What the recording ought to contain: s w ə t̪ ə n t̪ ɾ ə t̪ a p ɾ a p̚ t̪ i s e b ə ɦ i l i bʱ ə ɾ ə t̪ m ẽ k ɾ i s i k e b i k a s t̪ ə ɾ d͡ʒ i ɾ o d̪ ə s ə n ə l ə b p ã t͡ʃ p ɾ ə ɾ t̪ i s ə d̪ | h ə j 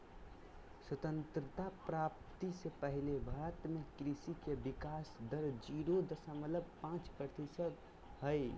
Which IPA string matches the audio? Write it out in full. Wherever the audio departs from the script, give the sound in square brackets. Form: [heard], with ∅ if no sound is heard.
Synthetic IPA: s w ə t̪ ə n t̪ ɾ ə t̪ a p ɾ a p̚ t̪ i s e [p] ə ɦ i l [e] bʱ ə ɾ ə t̪ m [e] k ɾ i s i k e b i k a s [d̪] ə ɾ d͡ʒ i ɾ o d̪ ə s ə [m] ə l ə b p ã t͡ʃ p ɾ ə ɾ t̪ i s ə d̪ | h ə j